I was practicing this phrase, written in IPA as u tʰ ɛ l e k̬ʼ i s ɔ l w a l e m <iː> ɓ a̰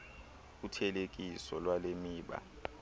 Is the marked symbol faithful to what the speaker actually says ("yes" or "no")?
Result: yes